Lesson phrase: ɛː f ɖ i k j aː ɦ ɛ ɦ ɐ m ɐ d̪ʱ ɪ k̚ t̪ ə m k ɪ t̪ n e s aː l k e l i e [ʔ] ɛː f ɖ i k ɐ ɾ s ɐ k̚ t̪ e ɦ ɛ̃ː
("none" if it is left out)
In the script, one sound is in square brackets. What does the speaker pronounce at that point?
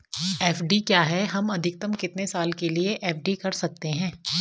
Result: ʔ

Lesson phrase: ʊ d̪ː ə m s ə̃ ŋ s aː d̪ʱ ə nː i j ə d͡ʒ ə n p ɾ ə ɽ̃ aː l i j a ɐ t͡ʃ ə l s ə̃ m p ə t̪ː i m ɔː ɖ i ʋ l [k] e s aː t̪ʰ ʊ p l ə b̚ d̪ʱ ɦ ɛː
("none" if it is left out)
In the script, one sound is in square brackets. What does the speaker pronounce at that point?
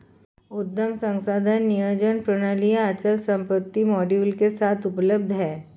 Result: k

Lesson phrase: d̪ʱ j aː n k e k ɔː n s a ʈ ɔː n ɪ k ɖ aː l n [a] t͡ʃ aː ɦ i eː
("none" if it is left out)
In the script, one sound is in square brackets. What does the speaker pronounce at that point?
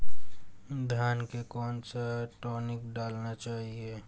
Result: a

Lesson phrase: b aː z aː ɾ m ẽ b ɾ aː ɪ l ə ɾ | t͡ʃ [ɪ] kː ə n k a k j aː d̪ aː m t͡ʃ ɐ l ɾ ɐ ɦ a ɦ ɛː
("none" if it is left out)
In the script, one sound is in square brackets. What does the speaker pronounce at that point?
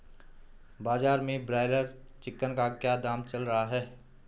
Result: ɪ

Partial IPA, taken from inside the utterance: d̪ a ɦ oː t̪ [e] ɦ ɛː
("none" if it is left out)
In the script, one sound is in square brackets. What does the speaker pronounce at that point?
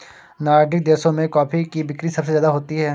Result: i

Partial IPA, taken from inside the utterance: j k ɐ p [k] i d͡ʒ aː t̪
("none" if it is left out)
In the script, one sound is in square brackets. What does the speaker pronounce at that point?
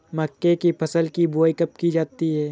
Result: k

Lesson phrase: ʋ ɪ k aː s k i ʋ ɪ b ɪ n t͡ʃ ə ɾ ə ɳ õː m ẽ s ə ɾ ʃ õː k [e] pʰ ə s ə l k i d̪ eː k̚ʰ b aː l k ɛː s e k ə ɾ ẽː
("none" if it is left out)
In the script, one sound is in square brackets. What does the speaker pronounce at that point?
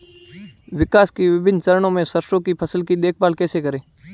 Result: i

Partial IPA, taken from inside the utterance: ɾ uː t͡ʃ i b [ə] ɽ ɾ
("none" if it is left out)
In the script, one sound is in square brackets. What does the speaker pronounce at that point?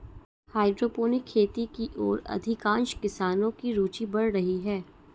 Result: ɐ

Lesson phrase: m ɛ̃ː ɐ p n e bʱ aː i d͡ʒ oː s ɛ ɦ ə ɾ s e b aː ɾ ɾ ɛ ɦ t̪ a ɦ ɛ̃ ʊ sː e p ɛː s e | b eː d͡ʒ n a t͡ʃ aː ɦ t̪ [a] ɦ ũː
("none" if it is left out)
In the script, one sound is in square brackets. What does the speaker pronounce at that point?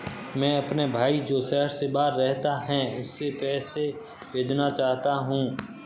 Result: a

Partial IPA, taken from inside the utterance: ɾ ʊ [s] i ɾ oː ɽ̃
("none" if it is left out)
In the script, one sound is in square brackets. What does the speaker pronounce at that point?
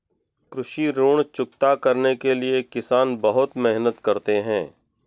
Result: ʃ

